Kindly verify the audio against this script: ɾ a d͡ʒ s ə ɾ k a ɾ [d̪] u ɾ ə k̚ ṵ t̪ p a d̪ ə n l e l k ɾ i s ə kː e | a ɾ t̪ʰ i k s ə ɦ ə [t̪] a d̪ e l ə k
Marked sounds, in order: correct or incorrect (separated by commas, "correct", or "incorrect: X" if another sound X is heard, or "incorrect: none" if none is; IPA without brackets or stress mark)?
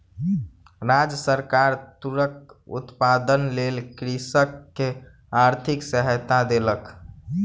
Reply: incorrect: t̪, correct